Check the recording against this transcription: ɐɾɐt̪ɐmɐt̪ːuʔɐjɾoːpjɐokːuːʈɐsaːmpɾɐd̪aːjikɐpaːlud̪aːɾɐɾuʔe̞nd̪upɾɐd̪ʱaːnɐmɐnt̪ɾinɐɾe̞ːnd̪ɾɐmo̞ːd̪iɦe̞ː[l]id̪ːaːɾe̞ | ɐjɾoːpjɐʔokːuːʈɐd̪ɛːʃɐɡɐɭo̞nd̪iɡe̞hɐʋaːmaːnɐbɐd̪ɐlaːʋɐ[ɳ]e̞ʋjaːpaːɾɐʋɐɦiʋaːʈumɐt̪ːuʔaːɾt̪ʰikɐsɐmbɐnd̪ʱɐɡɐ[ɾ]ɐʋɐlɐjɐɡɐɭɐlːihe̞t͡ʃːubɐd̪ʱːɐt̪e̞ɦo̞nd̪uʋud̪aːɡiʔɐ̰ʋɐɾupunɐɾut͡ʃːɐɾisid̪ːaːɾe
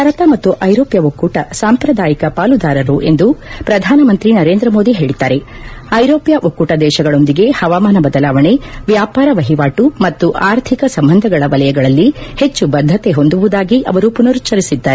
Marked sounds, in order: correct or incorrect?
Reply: incorrect: ɭ, correct, incorrect: ɭ

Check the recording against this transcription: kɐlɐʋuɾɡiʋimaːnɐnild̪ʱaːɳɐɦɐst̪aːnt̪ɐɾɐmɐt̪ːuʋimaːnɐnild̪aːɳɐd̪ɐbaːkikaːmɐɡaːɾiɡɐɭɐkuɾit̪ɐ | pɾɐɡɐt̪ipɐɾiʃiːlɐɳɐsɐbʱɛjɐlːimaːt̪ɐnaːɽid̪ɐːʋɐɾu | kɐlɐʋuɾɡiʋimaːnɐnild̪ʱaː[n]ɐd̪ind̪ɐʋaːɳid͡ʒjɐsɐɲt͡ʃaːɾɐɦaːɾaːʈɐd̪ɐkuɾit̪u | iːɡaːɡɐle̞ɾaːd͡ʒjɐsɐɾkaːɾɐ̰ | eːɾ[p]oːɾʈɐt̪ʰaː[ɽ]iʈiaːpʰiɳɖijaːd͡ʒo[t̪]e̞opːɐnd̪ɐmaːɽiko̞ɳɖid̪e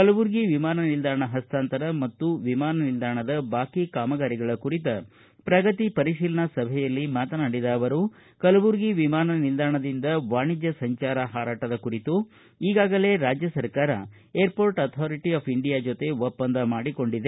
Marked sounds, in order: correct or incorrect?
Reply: incorrect: ɳ, correct, incorrect: ɾ, correct

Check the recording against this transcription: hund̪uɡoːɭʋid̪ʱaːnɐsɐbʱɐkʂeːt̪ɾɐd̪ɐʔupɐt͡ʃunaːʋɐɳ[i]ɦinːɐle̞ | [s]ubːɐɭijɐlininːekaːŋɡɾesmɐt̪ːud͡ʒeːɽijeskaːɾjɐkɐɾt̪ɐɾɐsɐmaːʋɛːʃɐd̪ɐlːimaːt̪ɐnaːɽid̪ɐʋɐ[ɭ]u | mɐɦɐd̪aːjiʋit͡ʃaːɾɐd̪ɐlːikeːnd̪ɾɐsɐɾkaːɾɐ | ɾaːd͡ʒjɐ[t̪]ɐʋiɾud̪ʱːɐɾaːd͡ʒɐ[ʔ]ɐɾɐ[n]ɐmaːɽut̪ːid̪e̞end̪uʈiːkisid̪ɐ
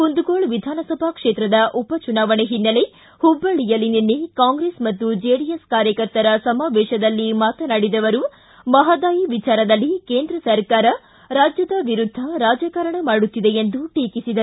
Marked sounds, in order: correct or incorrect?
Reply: incorrect: e, incorrect: h, incorrect: ɾ, incorrect: d̪, incorrect: k, incorrect: ɳ

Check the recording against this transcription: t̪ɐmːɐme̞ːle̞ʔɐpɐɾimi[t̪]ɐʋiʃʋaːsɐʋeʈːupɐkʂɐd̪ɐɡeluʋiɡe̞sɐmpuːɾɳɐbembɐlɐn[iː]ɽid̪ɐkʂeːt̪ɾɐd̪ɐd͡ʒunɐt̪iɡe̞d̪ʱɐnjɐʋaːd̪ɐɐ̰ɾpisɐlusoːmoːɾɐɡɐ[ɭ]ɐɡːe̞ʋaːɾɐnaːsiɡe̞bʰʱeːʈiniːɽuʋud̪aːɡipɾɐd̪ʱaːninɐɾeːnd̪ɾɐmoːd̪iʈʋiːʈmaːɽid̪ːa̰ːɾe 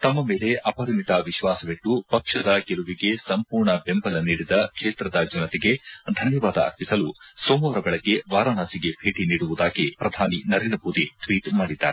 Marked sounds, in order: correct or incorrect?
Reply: correct, correct, correct

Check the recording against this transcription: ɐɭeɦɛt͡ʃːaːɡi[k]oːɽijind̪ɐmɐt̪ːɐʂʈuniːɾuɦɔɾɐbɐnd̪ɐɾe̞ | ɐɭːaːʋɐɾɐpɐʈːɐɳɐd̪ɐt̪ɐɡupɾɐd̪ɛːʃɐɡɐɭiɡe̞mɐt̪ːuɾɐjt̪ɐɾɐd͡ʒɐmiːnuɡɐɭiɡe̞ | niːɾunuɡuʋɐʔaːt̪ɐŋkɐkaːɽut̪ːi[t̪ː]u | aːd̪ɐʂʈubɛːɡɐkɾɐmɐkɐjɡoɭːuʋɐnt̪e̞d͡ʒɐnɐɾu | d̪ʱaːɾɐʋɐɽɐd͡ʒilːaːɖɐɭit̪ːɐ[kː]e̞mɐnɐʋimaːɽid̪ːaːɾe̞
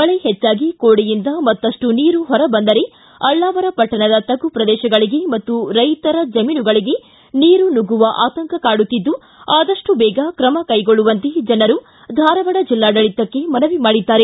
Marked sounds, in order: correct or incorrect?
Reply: correct, incorrect: d̪ː, correct

